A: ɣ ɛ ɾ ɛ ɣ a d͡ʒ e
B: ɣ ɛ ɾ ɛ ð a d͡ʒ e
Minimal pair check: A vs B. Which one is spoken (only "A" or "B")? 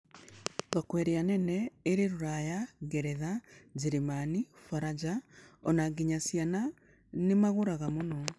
B